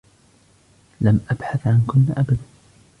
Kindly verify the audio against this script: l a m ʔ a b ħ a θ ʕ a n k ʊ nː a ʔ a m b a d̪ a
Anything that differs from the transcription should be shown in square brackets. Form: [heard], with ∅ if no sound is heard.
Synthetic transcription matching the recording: l a m ʔ a b ħ a θ ʕ a n k ʊ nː a ʔ a [∅] b a d̪ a